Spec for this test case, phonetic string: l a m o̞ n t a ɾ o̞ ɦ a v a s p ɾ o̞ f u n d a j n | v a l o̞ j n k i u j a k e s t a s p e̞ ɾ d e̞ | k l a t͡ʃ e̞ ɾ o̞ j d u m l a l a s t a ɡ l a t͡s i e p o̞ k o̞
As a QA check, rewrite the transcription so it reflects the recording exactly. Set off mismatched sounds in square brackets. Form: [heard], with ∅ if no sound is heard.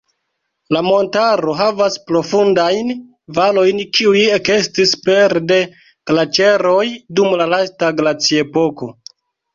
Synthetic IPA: l a m o̞ n t a ɾ o̞ ɦ a v a s p ɾ o̞ f u n d a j n | v a l o̞ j n k i u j [e] k e s t [i] s p e̞ ɾ d e̞ | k l a t͡ʃ e̞ ɾ o̞ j d u m l a l a s t a ɡ l a t͡s i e p o̞ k o̞

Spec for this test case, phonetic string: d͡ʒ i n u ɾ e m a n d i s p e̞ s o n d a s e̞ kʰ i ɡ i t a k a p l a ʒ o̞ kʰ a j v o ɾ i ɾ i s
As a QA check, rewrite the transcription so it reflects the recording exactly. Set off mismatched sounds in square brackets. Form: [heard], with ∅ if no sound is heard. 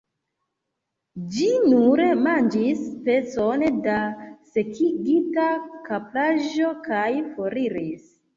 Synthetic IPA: d͡ʒ i n u ɾ e m a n [d͡ʒ] i s p e̞ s o n d a s e̞ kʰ i ɡ i t a k a p l a ʒ o̞ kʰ a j [f] o ɾ i ɾ i s

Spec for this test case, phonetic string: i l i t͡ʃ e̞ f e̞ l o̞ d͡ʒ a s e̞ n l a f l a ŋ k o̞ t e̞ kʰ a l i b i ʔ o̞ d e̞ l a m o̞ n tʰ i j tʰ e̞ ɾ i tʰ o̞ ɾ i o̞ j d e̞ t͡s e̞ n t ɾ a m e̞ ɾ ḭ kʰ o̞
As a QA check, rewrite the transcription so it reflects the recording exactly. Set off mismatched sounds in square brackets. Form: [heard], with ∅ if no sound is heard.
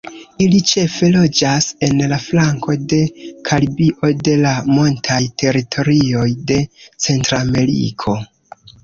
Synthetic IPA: i l i t͡ʃ e̞ f e̞ l o̞ d͡ʒ a s e̞ n l a f l a ŋ k o̞ [d] e̞ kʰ a l i b i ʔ o̞ d e̞ l a m o̞ n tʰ [a] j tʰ e̞ ɾ i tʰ o̞ ɾ i o̞ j d e̞ t͡s e̞ n t ɾ a m e̞ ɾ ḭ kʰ o̞

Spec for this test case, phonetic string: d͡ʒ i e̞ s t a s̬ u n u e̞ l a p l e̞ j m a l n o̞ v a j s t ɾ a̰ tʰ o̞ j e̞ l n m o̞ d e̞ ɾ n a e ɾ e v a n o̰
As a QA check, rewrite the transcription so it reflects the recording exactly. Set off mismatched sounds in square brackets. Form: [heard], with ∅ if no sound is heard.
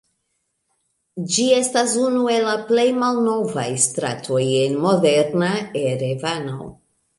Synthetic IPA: d͡ʒ i e̞ s t a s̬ u n u e̞ l a p l e̞ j m a l n o̞ v a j s t ɾ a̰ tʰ o̞ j e̞ [∅] n m o̞ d e̞ ɾ n a e ɾ e v a n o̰

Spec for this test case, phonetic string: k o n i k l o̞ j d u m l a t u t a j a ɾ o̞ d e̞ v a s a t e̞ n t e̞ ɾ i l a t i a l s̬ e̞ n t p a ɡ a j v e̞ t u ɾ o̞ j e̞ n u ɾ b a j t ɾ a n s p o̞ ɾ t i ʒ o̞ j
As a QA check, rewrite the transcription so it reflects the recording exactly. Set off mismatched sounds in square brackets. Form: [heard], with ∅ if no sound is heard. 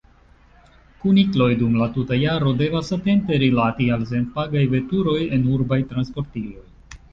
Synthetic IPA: k [u] n i k l o̞ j d u m l a t u t a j a ɾ o̞ d e̞ v a s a t e̞ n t e̞ ɾ i l a t i a l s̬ e̞ n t p a ɡ a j v e̞ t u ɾ o̞ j e̞ n u ɾ b a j t ɾ a n s p o̞ ɾ t i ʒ o̞ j

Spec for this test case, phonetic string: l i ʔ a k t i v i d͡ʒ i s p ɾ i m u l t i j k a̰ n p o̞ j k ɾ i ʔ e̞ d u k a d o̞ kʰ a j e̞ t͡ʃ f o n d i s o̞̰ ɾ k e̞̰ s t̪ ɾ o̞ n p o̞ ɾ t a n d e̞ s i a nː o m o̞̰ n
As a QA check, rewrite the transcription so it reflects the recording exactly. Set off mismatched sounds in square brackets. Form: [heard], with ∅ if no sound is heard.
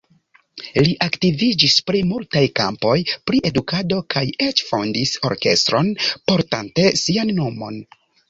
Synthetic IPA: l i ʔ a k t i v i d͡ʒ i s p ɾ i m u l t [a] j k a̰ [m] p o̞ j [p] ɾ i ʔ e̞ d u k a d o̞ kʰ a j e̞ t͡ʃ f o n d i s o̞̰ ɾ k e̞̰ s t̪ ɾ o̞ n p o̞ ɾ t a n [t] e̞ s i a nː o m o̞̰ n

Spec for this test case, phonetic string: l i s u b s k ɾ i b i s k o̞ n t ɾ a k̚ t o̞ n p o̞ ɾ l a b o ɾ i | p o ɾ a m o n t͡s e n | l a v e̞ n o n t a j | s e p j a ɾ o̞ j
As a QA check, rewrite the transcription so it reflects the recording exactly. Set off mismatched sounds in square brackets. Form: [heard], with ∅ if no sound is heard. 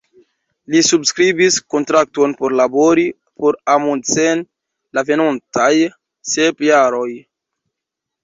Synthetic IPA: l i s u b s k ɾ i b i s k o̞ n t ɾ a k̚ t o̞ n p o̞ ɾ l a b o ɾ i | p o ɾ a m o n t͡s e n | l a v e̞ n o n t a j | s e p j a ɾ o̞ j

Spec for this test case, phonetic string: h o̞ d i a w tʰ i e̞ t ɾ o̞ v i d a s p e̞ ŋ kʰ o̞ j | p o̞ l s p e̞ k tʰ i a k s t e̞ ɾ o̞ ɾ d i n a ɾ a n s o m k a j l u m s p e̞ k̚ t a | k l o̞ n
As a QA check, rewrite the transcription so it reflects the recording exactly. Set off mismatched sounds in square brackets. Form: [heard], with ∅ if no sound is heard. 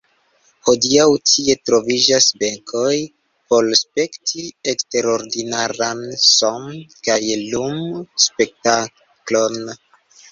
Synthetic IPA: h o̞ d i a w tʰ i e̞ t ɾ o̞ v i [d͡ʒ] a s [b] e̞ ŋ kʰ o̞ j | p o̞ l s p e̞ k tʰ i [e] k s t e̞ ɾ o̞ ɾ d i n a ɾ a n s o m k a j l u m s p e̞ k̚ t a | k l o̞ n

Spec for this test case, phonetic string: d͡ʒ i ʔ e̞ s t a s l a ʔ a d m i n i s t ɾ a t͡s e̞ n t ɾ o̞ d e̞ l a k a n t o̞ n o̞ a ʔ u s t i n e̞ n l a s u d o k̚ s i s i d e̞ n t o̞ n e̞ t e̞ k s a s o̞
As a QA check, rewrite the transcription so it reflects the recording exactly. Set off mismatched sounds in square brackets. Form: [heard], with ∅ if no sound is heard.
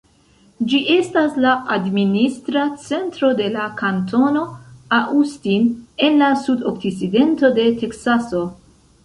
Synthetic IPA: d͡ʒ i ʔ e̞ s t a s l a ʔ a d m i n i s t ɾ a t͡s e̞ n t ɾ o̞ d e̞ l a k a n t o̞ n o̞ a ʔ u s t i n e̞ n l a s u d o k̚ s i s i d e̞ n t o̞ [d] e̞ t e̞ k s a s o̞

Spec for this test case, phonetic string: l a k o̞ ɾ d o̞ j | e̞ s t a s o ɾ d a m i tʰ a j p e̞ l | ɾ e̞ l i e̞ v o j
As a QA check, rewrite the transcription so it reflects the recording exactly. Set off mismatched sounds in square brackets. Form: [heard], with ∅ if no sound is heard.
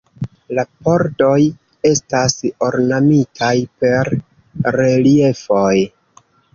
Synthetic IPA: l a [p] o̞ ɾ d o̞ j | e̞ s t a s o ɾ [n] a m i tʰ a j p e̞ [ɾ] | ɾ e̞ l i e̞ [f] o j

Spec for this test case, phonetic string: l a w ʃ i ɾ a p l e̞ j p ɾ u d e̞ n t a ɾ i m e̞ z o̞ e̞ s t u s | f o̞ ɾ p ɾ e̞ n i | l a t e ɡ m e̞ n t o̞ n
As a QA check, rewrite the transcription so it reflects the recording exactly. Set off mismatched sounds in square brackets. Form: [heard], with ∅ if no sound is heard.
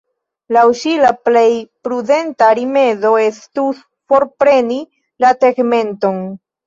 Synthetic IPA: l a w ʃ i [l] a p l e̞ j p ɾ u d e̞ n t a ɾ i m e̞ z o̞ e̞ s t u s | f o̞ ɾ p ɾ e̞ n i | l a t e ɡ m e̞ n t o̞ n

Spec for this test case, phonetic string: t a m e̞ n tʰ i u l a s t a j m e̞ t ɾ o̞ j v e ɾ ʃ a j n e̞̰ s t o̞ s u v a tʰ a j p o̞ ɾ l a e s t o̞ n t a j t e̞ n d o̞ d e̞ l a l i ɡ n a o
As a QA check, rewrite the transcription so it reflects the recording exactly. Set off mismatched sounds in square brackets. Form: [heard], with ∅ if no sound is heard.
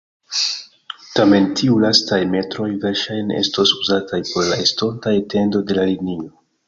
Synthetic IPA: t a m e̞ n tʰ i u l a s t a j m e̞ t ɾ o̞ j v e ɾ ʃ a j n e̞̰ s t o̞ s u [z] a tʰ a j p o̞ ɾ l a e s t o̞ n t a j t e̞ n d o̞ d e̞ l a l i ɡ n [i] o

